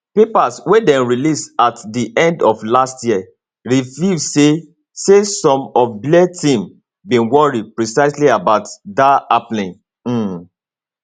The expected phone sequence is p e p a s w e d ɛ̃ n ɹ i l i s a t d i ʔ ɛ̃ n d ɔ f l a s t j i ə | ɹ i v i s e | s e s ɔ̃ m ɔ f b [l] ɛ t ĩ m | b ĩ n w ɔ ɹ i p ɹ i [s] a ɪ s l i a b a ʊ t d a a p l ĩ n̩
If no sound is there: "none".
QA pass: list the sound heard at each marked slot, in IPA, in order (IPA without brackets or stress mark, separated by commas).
l, s